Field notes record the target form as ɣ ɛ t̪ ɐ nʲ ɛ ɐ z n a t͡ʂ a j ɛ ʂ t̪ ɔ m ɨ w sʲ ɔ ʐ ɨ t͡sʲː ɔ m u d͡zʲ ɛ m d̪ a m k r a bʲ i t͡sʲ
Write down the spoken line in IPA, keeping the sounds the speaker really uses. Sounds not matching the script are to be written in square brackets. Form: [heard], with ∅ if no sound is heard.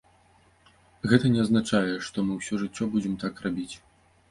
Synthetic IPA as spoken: ɣ ɛ t̪ ɐ nʲ ɛ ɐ z n a t͡ʂ a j ɛ ʂ t̪ ɔ m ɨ w sʲ ɔ ʐ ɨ t͡sʲː ɔ [b] u d͡zʲ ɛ m [t̪] a [∅] k r a bʲ i t͡sʲ